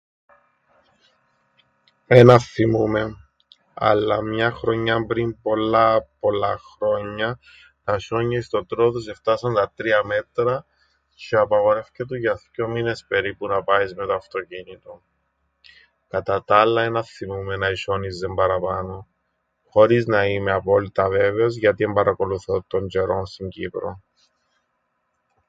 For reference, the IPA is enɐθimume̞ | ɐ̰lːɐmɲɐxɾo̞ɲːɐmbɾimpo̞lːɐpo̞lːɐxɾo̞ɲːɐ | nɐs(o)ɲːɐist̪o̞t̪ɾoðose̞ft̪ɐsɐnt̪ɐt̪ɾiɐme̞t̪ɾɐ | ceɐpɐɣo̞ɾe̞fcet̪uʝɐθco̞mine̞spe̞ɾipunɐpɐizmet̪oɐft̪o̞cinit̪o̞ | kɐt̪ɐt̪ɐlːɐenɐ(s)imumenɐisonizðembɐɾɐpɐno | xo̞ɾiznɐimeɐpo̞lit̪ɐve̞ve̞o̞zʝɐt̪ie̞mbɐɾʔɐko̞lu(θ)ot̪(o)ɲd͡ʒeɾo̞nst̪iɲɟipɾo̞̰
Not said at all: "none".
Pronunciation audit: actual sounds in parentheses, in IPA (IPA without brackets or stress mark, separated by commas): o, θ, θ, o